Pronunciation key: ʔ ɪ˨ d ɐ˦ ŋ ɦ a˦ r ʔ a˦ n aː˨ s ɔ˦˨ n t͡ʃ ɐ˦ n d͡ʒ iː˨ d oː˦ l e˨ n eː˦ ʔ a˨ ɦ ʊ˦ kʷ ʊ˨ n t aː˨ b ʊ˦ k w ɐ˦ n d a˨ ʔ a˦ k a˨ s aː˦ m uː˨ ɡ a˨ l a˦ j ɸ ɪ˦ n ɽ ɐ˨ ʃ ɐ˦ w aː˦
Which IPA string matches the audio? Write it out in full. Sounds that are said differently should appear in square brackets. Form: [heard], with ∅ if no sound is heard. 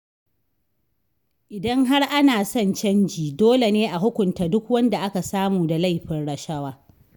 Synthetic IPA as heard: ʔ ɪ˨ d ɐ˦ ŋ ɦ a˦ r ʔ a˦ n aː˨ s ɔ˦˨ n t͡ʃ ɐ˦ n d͡ʒ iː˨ d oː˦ l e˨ n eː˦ ʔ a˨ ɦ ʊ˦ kʷ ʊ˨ n t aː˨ [d] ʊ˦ k w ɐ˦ n d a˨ ʔ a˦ k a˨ s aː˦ m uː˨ [d] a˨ l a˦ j ɸ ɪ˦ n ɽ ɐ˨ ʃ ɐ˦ w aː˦